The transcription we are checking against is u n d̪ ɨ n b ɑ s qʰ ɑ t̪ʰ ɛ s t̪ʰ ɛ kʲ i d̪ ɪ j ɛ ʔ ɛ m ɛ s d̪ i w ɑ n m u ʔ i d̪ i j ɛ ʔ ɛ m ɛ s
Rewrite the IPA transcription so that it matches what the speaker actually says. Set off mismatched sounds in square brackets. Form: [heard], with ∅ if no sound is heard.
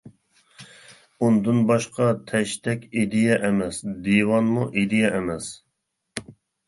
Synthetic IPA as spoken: u n d̪ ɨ n b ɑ [ʃ] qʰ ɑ t̪ʰ ɛ [ʃ] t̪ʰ ɛ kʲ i d̪ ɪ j ɛ ʔ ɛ m ɛ s d̪ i w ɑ n m u ʔ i d̪ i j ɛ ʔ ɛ m ɛ s

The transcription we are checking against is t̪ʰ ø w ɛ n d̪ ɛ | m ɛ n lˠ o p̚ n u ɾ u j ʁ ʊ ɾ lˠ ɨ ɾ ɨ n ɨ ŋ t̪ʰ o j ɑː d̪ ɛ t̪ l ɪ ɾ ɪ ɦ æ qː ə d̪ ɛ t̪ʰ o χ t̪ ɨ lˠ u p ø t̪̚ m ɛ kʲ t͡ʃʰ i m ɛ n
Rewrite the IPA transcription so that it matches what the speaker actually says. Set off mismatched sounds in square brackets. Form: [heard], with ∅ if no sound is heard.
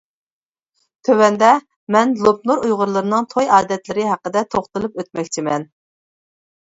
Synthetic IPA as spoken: t̪ʰ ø w ɛ n d̪ ɛ | m ɛ n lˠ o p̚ n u ɾ u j ʁ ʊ ɾ lˠ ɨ ɾ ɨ n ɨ ŋ t̪ʰ o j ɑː d̪ ɛ t̪ l ɪ ɾ ɪ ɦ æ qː ə d̪ ɛ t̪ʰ o χ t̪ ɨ lˠ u p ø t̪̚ m ɛ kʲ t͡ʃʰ i m ɛ n

